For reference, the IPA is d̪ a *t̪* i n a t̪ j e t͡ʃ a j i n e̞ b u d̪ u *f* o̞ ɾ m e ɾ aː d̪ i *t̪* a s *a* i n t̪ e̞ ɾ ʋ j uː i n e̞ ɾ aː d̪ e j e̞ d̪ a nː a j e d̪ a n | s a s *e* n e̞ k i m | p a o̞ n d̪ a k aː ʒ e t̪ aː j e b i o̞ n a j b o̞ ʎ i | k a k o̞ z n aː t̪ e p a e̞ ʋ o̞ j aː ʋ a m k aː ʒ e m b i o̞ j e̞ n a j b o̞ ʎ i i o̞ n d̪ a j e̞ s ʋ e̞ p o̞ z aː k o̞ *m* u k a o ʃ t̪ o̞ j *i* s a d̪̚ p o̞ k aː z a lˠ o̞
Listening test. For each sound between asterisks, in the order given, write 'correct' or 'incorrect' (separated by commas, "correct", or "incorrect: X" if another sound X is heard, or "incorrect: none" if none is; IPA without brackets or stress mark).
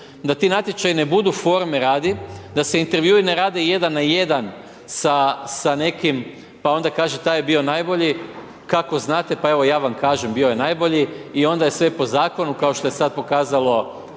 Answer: correct, correct, incorrect: d̪, incorrect: e, incorrect: a, incorrect: n, incorrect: e